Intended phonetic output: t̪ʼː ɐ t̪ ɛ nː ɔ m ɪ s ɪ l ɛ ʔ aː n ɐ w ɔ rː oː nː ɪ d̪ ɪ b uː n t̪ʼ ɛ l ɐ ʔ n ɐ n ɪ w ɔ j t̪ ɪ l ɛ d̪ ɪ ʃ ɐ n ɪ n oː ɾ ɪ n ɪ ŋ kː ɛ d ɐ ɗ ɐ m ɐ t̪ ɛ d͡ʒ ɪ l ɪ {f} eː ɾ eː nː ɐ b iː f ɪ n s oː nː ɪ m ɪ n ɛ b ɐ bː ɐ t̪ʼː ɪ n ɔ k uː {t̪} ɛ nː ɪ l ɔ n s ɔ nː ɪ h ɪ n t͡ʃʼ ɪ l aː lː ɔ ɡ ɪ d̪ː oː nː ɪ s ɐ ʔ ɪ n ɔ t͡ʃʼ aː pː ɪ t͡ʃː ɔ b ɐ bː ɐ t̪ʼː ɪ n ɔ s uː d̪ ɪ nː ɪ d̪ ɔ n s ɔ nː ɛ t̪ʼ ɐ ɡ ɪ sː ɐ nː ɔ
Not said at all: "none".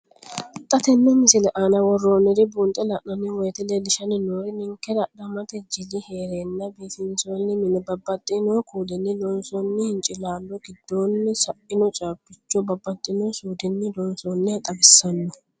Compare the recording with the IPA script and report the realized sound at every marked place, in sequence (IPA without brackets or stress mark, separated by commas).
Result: h, d̪